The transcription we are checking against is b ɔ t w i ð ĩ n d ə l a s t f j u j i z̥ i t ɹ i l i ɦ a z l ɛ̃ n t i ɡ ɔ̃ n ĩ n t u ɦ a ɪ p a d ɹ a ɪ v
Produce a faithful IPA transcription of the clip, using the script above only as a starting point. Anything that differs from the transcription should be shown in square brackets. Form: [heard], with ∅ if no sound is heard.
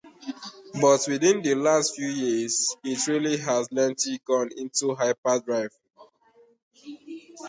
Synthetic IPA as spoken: b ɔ t w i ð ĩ n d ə l a s t f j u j i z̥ i t ɹ i l i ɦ a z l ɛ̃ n t i ɡ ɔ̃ n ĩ n t u ɦ a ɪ p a d ɹ a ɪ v